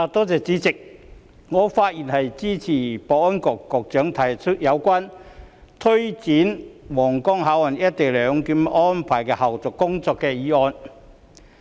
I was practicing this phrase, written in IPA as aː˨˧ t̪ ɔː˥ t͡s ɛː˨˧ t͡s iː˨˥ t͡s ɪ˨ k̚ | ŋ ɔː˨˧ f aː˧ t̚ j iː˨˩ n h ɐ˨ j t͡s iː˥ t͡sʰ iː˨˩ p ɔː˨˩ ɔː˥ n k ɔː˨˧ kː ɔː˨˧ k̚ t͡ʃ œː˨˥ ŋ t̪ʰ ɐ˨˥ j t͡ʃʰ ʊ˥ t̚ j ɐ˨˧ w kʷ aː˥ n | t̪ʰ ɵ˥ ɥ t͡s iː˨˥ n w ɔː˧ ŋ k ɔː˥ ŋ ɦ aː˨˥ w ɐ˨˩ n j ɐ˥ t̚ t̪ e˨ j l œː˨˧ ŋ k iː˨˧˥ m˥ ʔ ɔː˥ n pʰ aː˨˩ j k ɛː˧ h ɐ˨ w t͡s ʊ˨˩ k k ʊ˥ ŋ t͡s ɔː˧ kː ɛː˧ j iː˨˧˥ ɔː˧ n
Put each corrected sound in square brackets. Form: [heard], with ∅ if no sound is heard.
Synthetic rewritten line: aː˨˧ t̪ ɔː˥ t͡s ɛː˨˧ t͡s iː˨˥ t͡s ɪ˨ k̚ | ŋ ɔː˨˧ f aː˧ t̚ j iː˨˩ n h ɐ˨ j t͡s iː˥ t͡sʰ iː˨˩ p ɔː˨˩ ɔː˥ n k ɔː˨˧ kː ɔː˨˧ k̚ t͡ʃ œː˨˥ ŋ t̪ʰ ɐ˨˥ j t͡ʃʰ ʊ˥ t̚ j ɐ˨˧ w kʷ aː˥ n | t̪ʰ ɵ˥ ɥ t͡s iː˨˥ n w [ɔː˨˩] ŋ k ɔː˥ ŋ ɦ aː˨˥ w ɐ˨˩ n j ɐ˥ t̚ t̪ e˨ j l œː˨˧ ŋ k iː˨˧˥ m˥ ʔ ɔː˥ n pʰ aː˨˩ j k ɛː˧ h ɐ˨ w t͡s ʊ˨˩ k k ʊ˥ ŋ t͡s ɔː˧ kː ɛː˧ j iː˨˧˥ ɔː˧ n

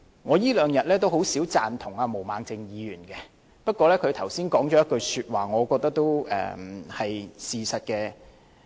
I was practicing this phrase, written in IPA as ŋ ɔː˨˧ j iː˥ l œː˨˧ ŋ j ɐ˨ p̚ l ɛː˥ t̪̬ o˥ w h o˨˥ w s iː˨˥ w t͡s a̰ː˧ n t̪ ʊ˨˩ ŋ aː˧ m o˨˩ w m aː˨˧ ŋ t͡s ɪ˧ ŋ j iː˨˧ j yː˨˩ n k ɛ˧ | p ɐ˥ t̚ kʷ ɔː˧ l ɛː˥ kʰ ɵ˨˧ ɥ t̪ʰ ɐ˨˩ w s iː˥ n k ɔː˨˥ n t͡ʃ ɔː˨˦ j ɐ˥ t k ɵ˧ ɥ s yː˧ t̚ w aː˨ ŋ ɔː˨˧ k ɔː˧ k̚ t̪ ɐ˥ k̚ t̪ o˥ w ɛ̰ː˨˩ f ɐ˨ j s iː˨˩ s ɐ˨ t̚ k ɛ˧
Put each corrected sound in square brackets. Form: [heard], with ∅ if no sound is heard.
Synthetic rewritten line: ŋ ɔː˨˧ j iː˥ l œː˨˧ ŋ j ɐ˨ [t̚] l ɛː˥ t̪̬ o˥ w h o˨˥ w s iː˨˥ w t͡s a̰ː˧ n [t̪ʰ] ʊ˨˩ ŋ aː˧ m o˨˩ w m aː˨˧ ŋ t͡s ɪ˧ ŋ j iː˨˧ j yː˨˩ n k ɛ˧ | p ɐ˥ t̚ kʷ ɔː˧ l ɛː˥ kʰ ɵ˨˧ ɥ t̪ʰ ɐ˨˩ w s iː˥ n k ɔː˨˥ [ŋ] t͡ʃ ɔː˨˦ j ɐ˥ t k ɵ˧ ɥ s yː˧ t̚ w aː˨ ŋ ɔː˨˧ k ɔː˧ k̚ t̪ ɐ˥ k̚ t̪ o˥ w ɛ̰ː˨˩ [h] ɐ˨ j s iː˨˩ s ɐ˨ t̚ k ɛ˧

